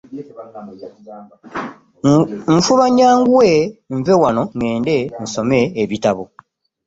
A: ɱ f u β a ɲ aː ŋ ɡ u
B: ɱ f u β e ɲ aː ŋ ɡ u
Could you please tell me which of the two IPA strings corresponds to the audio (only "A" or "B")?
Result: A